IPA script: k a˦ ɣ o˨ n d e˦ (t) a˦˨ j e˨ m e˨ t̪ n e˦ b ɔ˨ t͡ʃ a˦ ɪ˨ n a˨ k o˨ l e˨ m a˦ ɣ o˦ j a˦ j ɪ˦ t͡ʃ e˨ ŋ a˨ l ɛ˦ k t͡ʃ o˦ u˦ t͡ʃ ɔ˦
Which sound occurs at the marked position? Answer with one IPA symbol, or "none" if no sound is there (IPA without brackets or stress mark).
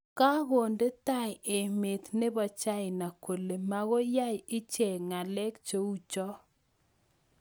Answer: t